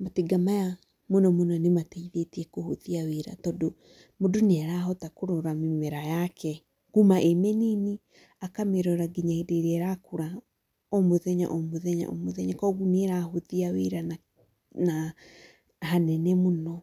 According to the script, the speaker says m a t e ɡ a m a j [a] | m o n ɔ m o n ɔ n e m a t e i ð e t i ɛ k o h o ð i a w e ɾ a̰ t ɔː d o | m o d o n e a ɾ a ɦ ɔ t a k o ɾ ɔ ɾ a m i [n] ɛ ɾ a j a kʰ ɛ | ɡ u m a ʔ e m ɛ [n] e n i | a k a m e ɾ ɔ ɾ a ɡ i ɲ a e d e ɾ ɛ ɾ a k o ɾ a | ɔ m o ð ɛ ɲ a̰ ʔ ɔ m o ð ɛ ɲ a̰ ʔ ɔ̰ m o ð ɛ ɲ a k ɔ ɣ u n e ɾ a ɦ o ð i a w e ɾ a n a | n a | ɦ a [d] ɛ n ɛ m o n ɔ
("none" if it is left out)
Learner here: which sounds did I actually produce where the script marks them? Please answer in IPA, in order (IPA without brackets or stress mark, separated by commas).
a, m, n, n